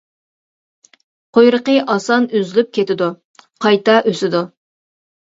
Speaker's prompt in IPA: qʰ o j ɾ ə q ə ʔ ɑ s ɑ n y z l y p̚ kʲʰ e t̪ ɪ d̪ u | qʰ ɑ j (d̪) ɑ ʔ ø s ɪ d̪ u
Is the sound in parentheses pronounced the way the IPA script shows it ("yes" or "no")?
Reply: no